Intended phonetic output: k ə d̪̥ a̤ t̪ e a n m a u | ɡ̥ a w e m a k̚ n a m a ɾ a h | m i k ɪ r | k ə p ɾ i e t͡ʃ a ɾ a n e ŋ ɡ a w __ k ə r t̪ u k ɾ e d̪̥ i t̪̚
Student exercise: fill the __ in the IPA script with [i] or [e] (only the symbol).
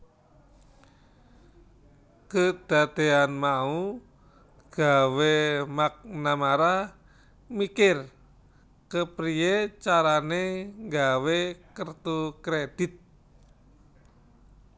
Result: e